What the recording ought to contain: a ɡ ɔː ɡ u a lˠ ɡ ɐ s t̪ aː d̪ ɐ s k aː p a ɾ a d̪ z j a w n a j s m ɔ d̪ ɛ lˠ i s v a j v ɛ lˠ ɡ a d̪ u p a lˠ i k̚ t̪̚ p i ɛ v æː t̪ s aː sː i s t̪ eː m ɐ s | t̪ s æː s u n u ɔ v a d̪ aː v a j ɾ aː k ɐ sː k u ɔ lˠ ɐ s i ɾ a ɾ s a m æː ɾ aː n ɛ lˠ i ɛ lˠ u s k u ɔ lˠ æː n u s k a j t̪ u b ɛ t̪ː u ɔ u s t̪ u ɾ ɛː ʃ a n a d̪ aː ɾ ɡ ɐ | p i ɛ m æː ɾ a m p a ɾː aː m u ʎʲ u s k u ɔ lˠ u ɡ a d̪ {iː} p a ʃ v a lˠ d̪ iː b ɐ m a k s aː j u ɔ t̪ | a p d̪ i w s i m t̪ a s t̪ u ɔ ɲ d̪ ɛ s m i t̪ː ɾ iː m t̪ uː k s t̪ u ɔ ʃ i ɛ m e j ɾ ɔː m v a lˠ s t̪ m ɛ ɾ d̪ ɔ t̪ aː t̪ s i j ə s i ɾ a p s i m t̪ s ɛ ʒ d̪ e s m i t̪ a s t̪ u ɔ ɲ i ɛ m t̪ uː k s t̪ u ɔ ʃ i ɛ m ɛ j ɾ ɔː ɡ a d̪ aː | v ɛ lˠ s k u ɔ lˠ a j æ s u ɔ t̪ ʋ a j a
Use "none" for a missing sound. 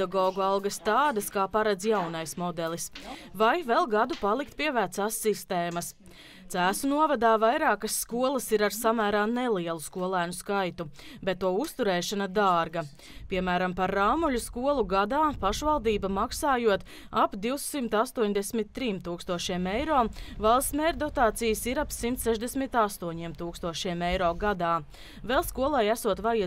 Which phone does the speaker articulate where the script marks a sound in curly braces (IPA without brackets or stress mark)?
aː